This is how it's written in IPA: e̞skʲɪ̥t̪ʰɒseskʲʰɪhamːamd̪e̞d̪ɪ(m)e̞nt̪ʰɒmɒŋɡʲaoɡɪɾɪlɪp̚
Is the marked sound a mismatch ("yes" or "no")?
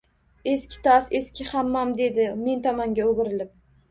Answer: no